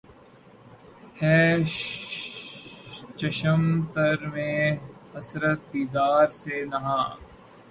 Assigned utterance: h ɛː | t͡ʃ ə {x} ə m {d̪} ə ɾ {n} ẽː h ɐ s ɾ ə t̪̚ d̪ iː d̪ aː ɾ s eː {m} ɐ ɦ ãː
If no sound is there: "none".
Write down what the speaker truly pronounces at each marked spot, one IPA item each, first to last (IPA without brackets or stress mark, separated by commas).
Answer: ʃ, t̪, m, n